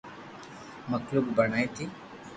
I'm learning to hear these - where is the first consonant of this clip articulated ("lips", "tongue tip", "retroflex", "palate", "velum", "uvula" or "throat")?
lips